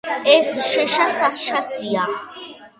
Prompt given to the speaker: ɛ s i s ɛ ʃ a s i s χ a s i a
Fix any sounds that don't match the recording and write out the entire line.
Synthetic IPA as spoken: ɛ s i ʃ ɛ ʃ a s a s ʃ a s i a